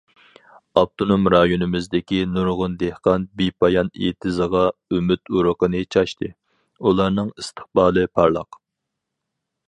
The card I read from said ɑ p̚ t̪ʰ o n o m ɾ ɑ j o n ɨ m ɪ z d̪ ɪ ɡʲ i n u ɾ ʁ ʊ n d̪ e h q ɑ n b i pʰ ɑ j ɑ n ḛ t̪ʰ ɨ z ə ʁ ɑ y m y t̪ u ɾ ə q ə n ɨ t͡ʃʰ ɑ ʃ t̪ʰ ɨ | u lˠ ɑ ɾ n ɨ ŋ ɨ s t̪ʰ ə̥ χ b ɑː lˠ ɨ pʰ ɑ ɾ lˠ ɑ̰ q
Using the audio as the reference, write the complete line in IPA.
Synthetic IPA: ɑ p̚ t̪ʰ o n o m ɾ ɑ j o n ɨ m ɪ z d̪ ɪ kʲ i n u ɾ ʁ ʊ n d̪ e h q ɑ n b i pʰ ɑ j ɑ n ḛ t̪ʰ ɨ z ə ʁ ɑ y m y t̪ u ɾ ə q ə n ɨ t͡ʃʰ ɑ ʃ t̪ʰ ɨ | u lˠ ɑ ɾ n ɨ ŋ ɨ s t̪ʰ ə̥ χ b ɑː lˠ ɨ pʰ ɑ ɾ lˠ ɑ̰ q